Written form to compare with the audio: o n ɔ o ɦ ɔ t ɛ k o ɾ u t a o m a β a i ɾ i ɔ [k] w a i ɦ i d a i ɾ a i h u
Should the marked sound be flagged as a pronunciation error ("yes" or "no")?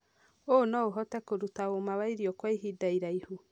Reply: no